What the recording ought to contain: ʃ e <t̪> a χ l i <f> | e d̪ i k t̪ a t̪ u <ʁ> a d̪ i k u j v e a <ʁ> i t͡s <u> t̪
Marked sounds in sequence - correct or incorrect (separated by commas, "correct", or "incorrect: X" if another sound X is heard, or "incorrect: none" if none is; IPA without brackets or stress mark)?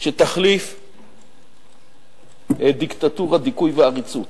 correct, correct, correct, correct, correct